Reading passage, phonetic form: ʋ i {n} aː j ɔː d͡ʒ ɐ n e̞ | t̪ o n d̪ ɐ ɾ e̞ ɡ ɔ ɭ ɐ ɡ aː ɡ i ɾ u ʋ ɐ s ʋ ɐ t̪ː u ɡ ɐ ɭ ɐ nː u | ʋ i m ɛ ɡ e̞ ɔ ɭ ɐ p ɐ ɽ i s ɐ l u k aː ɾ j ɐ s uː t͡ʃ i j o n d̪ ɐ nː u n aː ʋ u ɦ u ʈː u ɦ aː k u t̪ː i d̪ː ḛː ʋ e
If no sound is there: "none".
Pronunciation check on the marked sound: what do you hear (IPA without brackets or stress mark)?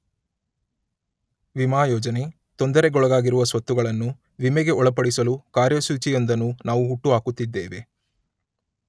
m